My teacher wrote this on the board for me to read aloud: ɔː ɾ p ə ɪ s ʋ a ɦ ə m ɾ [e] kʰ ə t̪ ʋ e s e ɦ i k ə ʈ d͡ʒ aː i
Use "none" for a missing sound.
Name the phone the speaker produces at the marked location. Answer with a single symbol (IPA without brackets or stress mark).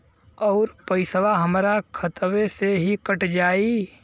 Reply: a